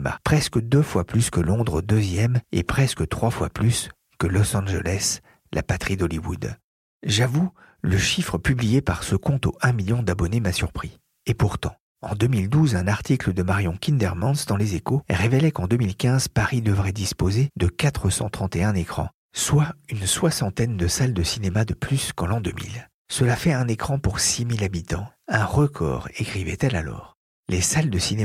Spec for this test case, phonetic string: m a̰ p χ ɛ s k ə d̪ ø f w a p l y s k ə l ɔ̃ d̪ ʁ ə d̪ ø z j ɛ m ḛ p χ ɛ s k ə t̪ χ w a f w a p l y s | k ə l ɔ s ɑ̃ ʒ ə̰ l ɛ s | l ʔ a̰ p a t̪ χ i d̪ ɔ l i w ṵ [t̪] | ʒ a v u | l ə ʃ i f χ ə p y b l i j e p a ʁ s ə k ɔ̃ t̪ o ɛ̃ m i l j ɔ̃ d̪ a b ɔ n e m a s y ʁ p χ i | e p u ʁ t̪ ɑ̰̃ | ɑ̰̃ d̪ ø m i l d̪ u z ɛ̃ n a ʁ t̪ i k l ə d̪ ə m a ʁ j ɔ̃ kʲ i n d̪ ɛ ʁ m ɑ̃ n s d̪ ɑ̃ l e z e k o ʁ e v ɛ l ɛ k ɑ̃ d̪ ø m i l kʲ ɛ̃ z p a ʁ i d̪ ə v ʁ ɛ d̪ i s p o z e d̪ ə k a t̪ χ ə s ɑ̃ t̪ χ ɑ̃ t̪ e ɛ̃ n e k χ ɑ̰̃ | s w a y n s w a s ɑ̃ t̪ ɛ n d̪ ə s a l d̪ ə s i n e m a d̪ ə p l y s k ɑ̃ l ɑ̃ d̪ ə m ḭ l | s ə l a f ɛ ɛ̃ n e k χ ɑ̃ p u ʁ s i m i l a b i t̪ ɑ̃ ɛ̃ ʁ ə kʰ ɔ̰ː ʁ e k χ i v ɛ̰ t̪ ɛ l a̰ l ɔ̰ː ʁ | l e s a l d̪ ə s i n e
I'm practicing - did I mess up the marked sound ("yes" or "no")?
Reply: yes